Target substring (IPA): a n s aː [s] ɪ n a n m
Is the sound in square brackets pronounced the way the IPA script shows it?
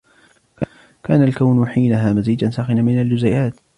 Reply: no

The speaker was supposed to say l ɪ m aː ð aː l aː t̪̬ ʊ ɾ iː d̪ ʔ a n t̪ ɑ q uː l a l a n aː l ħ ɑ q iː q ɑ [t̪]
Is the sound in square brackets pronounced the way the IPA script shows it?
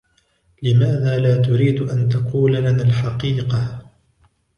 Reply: no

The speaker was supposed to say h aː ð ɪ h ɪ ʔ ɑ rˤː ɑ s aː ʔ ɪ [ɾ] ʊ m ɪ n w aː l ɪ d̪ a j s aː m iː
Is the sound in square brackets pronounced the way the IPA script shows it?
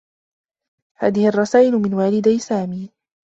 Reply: no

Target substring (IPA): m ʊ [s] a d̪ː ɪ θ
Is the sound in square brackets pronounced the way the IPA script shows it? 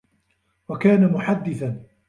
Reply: no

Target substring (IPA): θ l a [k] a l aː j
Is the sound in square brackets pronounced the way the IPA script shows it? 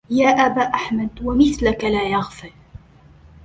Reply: yes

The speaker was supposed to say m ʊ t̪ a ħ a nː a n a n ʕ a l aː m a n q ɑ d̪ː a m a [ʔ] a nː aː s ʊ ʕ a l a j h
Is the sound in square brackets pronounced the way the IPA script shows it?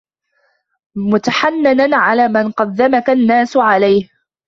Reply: no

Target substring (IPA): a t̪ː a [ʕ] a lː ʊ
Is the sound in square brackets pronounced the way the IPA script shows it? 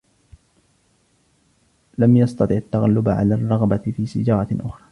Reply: no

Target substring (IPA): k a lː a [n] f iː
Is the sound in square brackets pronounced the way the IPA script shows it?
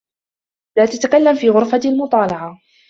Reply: no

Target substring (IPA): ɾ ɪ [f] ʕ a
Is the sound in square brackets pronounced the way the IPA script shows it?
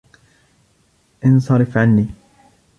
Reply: yes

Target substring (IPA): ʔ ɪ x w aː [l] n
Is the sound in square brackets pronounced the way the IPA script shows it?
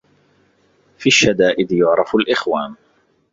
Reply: no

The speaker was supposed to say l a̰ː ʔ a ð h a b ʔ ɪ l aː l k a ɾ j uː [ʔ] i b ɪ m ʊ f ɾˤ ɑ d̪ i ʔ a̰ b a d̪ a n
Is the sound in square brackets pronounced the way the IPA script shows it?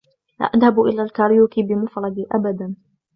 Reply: no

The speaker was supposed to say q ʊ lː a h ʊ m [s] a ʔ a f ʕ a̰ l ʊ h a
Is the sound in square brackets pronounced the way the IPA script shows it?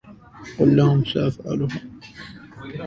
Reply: yes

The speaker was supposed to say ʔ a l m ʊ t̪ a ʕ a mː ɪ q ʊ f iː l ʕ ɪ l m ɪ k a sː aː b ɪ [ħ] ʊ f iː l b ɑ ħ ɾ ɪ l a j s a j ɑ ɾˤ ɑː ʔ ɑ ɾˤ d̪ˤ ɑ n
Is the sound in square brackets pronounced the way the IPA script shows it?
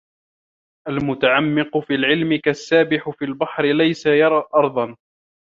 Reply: yes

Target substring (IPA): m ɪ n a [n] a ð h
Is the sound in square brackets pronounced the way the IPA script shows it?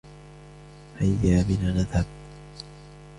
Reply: yes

